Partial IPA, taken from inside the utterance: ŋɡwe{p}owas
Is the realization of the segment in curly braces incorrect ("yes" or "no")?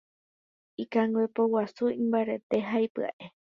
no